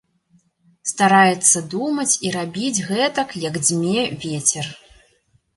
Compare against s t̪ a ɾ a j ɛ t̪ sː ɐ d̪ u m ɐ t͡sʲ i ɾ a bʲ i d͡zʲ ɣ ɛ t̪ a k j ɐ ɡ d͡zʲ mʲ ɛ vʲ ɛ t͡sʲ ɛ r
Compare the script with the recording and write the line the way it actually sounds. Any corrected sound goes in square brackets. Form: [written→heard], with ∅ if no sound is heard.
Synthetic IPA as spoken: s t̪ a ɾ a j ɛ t̪ sː ɐ d̪ u m ɐ t͡sʲ i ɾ a bʲ i d͡zʲ ɣ ɛ t̪ [a→ɐ] k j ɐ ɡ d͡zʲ mʲ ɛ vʲ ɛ t͡sʲ ɛ r